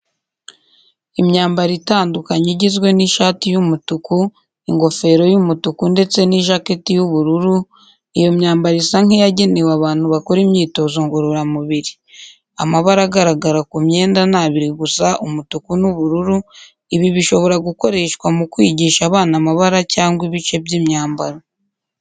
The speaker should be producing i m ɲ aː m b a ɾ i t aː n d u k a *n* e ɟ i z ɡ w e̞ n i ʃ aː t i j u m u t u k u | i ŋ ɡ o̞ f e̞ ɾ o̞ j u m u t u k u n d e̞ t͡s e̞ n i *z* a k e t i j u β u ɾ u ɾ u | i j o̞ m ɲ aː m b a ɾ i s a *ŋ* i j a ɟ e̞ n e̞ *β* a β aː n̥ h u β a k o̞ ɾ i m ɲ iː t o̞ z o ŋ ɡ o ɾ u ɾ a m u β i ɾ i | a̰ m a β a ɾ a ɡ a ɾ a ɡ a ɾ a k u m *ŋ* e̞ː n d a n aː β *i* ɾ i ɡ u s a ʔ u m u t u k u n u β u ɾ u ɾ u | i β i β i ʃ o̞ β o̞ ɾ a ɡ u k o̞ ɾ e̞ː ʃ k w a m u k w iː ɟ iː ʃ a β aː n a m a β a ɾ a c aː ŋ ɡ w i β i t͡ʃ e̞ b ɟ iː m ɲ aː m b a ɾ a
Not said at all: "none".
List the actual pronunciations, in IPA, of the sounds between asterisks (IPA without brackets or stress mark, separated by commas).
ɲ, ʒ, ŋ, w, ɲ, i